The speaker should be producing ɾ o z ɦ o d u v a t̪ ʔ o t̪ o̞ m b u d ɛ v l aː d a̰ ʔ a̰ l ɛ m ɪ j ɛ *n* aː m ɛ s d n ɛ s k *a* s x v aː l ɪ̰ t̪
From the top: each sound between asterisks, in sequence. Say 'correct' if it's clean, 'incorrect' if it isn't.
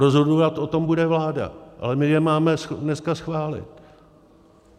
incorrect, correct

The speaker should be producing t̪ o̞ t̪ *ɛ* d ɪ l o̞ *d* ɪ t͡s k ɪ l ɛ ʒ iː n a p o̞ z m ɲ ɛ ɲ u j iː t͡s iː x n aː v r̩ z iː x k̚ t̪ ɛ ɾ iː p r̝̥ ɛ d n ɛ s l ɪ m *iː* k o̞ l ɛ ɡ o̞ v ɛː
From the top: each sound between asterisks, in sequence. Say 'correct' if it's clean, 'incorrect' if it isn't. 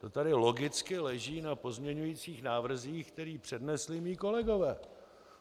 incorrect, incorrect, correct

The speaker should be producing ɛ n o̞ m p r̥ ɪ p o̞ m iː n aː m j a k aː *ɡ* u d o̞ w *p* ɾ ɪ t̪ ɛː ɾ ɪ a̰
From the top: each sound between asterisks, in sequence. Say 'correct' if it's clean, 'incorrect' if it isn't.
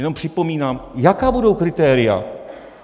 incorrect, incorrect

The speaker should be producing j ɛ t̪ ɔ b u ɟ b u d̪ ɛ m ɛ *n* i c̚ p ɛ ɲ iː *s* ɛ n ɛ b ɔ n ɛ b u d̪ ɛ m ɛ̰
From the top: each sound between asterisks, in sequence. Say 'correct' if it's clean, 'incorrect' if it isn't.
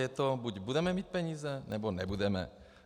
incorrect, incorrect

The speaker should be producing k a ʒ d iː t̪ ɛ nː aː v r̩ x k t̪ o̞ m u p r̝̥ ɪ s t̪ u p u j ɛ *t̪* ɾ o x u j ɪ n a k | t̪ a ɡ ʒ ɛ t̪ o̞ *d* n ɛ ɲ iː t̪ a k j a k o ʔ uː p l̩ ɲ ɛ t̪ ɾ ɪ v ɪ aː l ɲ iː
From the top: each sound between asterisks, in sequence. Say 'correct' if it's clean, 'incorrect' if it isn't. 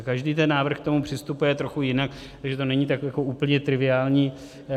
correct, incorrect

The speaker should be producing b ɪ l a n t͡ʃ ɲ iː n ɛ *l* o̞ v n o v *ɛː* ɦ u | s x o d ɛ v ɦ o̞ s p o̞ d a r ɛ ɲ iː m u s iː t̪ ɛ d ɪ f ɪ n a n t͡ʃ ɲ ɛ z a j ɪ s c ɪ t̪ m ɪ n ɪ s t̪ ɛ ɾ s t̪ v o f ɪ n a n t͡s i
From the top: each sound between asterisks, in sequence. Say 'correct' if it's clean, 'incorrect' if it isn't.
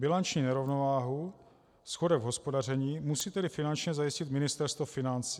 incorrect, incorrect

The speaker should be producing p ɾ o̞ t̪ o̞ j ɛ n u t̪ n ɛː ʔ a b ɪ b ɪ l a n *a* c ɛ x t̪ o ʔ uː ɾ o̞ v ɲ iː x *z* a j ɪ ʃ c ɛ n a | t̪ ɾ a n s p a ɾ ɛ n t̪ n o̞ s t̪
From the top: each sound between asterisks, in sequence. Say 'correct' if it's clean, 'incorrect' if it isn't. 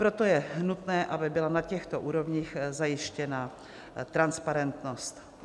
correct, correct

